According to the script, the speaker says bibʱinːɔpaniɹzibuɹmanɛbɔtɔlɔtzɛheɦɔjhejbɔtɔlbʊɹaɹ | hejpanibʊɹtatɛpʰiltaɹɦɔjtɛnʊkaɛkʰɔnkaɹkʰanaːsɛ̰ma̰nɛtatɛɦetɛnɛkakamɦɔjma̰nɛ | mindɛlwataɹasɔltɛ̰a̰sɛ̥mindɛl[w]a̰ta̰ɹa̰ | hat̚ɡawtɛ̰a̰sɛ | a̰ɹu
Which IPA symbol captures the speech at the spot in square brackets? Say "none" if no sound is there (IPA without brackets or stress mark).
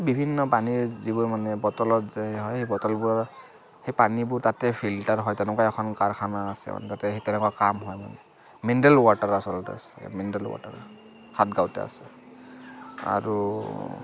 w